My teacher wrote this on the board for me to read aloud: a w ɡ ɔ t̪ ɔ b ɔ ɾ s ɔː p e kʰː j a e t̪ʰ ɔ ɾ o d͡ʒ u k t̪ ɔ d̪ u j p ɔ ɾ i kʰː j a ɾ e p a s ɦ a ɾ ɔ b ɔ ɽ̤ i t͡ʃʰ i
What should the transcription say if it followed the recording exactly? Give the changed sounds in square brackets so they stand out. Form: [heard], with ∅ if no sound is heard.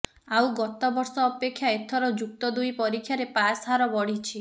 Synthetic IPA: a w ɡ ɔ t̪ ɔ b ɔ ɾ s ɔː p e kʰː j a e t̪ʰ ɔ ɾ [ɔ] d͡ʒ u k t̪ ɔ d̪ u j p ɔ ɾ i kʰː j a ɾ e p a s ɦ a ɾ ɔ b ɔ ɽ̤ i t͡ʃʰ i